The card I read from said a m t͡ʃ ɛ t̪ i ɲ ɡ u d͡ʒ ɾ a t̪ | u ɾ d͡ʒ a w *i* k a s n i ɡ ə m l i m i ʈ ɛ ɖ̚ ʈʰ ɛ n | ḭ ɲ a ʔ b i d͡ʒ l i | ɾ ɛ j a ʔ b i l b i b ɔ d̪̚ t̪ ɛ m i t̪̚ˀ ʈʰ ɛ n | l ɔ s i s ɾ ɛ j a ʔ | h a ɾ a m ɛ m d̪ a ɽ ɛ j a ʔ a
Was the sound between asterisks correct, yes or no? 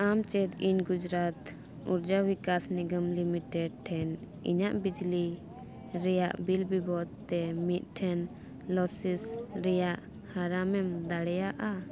yes